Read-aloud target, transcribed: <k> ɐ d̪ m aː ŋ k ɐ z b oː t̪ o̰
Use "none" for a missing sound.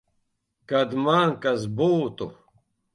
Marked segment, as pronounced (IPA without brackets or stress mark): k